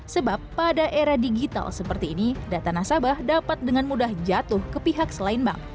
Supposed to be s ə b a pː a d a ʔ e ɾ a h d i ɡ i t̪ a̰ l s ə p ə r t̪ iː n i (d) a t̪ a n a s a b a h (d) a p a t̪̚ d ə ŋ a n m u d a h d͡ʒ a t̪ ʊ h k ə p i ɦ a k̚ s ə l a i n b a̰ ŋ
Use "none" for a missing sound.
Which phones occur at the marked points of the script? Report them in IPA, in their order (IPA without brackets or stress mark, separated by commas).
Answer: d, d